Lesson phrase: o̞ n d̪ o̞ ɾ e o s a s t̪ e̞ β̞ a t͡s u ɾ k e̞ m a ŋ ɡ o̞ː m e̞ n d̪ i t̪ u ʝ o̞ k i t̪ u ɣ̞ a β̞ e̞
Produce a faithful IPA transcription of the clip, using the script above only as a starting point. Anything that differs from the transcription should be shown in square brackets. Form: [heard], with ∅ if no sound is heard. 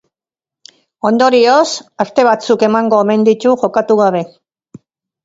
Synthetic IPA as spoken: o̞ n d̪ o̞ ɾ [i] o s a s t̪ e̞ β̞ a t͡s u [∅] k e̞ m a ŋ ɡ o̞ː m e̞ n d̪ i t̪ u ʝ o̞ k [a] t̪ u ɣ̞ a β̞ e̞